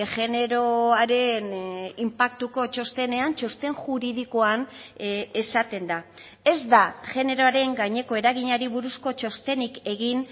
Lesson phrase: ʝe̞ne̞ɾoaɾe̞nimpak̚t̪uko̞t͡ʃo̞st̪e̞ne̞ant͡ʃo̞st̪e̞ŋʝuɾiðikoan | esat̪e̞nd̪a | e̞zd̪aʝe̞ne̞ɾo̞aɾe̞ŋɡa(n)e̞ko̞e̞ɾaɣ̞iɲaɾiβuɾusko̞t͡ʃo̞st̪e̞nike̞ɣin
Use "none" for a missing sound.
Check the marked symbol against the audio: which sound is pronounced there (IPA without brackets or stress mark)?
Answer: ɲ